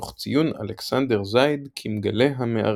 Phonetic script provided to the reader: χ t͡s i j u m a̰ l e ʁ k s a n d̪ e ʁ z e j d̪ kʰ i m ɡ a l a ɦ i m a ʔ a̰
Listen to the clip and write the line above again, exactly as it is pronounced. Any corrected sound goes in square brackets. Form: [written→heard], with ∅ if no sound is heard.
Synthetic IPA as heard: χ t͡s i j u [m→n] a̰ l e [ʁ→∅] k s a n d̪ e ʁ z [e→a] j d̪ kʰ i m ɡ a l [a→e] ɦ [i→a] m [a→e] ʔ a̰